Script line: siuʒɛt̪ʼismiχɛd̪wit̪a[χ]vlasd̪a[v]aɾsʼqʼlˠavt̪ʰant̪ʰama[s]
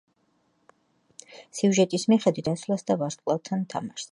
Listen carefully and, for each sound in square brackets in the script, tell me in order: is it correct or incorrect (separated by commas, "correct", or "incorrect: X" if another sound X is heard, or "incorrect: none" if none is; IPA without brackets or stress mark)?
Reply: incorrect: s, correct, incorrect: ʃ